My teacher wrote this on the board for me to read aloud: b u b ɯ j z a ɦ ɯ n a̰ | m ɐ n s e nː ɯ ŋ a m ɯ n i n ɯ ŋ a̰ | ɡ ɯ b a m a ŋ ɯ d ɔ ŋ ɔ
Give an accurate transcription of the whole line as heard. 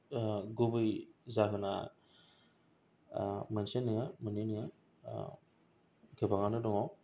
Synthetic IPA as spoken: ɡ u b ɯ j z a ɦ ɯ n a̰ | m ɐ n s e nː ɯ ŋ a m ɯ n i n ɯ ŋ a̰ | ɡ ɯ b a ŋ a n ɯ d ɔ ŋ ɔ